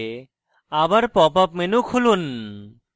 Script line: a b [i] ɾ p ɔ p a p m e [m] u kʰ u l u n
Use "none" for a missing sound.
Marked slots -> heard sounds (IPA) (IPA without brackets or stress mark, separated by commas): a, n